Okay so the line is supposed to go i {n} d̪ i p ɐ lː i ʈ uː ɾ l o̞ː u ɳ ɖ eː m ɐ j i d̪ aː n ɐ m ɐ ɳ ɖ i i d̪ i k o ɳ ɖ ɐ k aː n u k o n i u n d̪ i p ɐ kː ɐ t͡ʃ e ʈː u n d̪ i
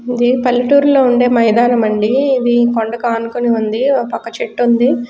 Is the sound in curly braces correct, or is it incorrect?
incorrect